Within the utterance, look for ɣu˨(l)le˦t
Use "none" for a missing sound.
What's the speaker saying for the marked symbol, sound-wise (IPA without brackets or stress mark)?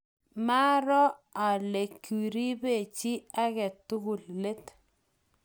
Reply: l